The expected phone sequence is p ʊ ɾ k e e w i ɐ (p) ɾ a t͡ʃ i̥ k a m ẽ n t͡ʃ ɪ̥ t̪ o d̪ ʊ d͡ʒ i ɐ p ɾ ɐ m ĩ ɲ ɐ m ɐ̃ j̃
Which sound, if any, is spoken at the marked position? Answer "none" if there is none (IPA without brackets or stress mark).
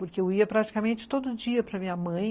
p